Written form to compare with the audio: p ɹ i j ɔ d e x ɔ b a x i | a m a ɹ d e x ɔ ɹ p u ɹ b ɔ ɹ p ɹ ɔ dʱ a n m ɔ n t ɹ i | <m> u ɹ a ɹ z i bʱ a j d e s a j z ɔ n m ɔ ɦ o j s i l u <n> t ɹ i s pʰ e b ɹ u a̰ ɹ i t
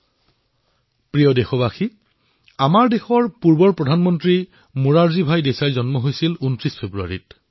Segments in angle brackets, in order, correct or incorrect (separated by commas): correct, correct